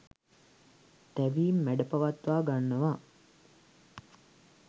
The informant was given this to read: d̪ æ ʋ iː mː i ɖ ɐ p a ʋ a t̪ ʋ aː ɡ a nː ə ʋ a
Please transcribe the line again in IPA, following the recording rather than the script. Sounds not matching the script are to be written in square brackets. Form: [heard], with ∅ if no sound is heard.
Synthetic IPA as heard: [t̪] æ ʋ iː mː [æ] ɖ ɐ p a ʋ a t̪ ʋ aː ɡ a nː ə ʋ a